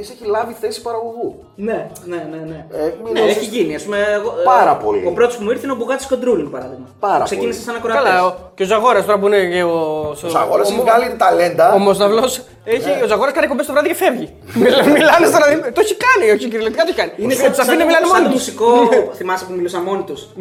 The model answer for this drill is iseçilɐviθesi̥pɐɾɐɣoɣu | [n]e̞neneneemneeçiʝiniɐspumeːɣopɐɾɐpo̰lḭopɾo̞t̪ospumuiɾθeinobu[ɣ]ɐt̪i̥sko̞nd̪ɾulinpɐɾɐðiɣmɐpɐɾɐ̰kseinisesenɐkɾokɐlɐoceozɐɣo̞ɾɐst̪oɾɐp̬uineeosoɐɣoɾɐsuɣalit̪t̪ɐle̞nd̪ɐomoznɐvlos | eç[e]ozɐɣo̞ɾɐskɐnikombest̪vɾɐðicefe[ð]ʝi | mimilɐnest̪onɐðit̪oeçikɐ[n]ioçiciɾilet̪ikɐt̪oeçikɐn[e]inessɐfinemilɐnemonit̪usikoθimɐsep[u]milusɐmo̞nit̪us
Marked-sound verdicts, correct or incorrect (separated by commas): correct, correct, incorrect, incorrect, correct, incorrect, correct